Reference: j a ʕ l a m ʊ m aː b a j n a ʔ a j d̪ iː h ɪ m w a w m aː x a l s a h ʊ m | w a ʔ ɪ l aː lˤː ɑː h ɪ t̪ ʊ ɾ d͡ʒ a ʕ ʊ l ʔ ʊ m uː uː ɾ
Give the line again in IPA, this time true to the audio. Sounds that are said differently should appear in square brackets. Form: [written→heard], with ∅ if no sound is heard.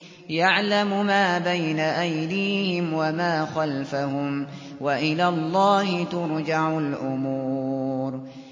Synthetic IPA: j a ʕ l a m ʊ m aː b a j n a ʔ a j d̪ iː h ɪ m w a [w→∅] m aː x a l [s→f] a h ʊ m | w a ʔ ɪ l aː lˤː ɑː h ɪ t̪ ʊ ɾ d͡ʒ a ʕ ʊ l ʔ ʊ m uː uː ɾ